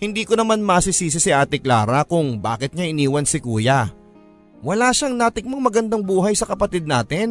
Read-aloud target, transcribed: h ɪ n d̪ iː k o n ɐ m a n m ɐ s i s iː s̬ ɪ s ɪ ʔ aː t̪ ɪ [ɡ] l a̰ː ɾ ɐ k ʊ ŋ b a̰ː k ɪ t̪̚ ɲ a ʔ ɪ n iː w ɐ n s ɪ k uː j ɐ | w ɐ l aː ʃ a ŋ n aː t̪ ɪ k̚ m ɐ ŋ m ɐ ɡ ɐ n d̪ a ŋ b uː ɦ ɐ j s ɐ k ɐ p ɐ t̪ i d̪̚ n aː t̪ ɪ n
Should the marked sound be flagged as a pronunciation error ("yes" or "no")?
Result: yes